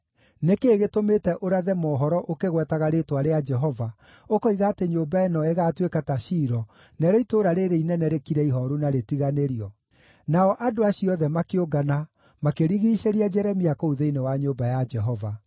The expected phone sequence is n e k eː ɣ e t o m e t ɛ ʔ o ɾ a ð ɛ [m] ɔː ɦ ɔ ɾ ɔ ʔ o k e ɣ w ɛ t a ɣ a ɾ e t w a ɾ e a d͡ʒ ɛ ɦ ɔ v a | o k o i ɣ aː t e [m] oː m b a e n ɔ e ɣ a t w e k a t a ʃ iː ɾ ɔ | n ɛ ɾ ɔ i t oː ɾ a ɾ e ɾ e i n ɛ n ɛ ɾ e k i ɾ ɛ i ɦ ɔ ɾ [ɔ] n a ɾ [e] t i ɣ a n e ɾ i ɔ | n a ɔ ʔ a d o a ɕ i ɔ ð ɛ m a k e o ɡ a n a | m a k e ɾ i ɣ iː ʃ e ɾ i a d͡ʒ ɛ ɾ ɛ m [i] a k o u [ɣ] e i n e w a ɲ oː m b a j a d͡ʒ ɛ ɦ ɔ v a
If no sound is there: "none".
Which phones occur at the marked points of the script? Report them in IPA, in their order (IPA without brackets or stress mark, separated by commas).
m, ɲ, u, e, i, ð